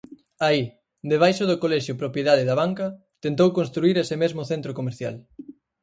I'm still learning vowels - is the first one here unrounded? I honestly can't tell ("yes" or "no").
yes